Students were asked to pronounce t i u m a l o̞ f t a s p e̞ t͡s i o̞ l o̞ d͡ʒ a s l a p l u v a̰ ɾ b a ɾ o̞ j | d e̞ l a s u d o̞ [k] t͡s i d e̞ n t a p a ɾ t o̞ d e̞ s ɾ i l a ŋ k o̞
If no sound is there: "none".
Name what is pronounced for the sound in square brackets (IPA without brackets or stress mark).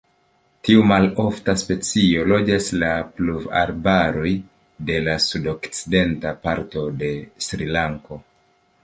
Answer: k